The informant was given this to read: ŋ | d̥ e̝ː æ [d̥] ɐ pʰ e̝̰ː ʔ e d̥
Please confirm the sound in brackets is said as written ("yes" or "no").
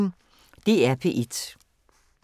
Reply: no